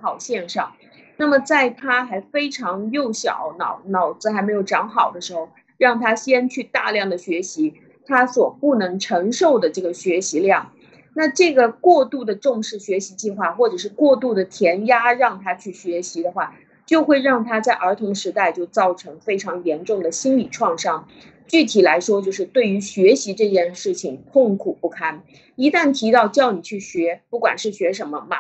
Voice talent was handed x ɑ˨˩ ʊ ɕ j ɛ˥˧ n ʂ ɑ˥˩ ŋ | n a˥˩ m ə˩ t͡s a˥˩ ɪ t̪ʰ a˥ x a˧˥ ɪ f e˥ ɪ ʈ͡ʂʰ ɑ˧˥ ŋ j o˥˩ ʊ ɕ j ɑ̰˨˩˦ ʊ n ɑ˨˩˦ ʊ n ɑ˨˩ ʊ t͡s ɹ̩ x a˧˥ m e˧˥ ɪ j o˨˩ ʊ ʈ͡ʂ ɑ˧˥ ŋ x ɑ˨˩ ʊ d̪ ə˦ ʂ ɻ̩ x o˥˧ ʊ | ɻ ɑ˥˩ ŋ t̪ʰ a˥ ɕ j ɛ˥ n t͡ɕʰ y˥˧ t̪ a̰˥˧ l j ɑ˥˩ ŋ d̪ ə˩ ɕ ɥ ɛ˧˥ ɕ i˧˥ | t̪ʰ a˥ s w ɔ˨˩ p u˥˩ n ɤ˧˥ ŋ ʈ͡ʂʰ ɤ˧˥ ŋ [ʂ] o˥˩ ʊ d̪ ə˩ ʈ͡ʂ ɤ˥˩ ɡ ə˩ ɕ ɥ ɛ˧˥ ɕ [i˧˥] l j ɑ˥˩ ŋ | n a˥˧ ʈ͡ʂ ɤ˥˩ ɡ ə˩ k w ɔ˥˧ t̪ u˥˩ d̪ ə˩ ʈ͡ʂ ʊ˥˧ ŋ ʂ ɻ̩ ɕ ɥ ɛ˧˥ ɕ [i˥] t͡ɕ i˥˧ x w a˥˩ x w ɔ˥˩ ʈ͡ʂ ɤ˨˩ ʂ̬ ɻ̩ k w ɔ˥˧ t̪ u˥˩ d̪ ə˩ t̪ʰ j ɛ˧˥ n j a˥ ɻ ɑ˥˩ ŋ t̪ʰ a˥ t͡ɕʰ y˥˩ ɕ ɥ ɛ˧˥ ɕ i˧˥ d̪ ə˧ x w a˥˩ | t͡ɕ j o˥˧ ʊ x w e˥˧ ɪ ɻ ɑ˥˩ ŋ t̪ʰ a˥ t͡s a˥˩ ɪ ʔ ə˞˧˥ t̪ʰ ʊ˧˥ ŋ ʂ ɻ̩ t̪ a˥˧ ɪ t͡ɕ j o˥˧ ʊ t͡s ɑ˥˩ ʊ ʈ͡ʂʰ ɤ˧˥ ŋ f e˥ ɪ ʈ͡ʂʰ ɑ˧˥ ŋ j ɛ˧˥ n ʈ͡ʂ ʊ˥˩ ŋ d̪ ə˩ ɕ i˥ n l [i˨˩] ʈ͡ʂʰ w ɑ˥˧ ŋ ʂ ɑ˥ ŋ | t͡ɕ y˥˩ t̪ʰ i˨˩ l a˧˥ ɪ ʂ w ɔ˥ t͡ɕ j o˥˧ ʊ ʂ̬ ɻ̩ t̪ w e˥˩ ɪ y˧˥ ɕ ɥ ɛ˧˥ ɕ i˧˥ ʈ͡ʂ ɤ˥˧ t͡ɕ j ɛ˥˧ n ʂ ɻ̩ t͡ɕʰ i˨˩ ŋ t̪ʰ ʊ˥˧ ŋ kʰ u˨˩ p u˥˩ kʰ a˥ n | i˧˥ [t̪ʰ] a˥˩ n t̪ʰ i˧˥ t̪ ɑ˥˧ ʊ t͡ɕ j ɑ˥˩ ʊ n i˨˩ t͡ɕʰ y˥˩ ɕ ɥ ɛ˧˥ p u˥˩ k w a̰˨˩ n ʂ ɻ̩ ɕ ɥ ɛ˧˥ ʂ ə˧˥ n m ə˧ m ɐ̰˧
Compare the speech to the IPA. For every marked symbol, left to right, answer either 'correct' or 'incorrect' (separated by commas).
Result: correct, correct, incorrect, correct, incorrect